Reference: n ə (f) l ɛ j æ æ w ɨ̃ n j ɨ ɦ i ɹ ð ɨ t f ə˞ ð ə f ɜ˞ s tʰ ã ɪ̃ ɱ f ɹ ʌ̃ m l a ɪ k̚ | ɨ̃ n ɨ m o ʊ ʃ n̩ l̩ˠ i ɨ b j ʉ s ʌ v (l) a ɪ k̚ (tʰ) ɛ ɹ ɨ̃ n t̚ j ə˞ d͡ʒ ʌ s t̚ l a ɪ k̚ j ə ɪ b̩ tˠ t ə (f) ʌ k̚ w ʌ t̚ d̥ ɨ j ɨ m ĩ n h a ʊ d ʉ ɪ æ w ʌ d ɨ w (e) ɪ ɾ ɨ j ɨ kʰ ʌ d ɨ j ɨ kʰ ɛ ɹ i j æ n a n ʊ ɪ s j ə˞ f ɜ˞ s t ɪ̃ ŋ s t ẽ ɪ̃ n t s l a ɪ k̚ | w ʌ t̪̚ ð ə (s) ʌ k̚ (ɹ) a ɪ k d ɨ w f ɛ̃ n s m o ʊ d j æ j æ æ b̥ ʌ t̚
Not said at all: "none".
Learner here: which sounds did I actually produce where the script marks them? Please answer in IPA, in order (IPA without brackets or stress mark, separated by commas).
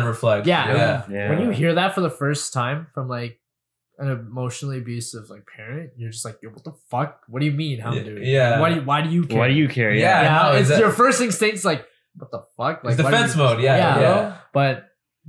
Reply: f, l, pʰ, f, a, f, l